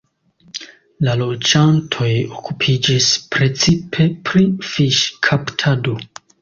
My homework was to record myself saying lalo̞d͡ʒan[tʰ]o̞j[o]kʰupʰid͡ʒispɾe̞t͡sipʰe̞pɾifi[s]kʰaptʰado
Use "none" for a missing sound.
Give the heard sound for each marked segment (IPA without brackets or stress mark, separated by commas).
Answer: tʰ, o, ʃ